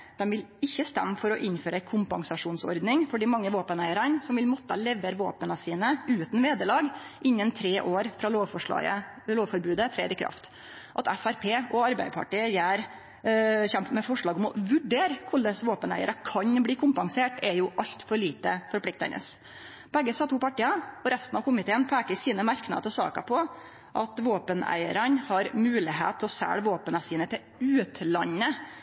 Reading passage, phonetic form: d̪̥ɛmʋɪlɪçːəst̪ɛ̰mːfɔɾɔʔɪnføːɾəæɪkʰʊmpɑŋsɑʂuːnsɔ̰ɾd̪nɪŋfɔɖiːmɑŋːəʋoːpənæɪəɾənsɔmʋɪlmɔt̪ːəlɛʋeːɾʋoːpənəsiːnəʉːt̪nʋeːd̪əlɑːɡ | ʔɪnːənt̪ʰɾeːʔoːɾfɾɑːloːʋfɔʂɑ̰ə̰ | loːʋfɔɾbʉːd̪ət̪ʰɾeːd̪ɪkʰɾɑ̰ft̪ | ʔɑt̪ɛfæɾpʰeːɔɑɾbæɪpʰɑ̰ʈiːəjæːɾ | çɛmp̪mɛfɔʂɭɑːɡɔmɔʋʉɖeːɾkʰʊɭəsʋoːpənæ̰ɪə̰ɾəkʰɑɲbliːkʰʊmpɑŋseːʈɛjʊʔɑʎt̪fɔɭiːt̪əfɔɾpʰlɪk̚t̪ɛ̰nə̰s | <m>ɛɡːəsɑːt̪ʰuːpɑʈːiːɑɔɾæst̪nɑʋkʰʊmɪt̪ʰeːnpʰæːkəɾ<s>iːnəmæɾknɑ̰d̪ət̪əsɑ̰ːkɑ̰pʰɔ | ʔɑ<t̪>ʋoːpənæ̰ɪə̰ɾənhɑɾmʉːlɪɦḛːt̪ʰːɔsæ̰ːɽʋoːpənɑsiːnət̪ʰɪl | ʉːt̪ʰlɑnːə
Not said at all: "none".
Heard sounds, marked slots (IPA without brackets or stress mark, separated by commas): b, s, t̪